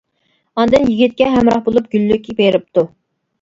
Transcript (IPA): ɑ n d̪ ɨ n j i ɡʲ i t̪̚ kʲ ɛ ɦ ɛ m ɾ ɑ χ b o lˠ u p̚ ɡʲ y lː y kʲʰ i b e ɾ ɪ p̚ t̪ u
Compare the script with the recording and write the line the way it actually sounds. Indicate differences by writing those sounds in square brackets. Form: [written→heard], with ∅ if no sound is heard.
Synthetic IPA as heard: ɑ n d̪ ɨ n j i ɡʲ i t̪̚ kʲ ɛ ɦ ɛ m ɾ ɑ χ b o lˠ u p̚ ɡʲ y lː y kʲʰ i b e ɾ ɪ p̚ t̪ u